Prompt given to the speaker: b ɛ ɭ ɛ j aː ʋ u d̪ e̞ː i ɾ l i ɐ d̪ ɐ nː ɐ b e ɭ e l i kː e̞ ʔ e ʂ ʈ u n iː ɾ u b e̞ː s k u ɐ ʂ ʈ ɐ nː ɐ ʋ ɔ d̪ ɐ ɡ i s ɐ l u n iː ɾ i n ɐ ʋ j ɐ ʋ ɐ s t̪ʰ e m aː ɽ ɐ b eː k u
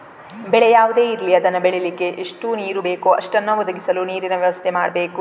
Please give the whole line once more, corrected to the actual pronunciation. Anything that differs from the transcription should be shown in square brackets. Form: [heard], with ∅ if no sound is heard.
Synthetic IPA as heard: b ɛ ɭ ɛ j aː ʋ u d̪ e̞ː i ɾ l i ɐ d̪ ɐ nː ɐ b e ɭ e l i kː e̞ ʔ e ʂ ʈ u n iː ɾ u b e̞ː [∅] k u ɐ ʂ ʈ ɐ nː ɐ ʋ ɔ d̪ ɐ ɡ i s ɐ l u n iː ɾ i n ɐ ʋ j ɐ ʋ ɐ s t̪ʰ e m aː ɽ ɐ b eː k u